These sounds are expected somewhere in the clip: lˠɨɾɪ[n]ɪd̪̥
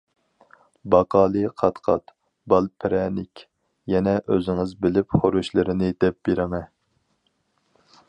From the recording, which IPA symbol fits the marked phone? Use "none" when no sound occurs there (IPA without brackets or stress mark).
n